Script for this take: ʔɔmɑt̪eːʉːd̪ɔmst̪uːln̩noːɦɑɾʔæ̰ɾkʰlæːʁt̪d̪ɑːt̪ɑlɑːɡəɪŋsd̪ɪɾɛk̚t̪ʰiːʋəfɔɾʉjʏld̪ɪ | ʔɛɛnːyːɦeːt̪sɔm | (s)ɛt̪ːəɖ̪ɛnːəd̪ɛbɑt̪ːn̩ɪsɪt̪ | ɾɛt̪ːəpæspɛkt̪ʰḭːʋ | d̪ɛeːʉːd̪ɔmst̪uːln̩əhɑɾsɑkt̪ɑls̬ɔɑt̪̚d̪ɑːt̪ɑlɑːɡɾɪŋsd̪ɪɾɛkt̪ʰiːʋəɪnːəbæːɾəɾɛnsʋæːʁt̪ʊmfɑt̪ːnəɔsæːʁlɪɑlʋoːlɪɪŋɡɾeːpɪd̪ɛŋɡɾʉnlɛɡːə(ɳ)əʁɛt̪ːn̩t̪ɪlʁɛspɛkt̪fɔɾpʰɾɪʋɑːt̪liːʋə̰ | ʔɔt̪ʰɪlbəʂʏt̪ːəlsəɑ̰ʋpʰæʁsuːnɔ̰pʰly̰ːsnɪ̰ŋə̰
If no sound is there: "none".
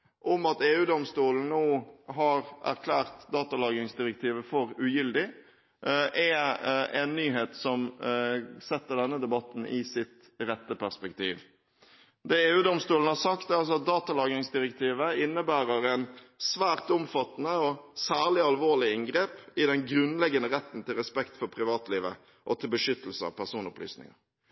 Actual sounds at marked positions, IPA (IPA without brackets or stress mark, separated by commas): s, n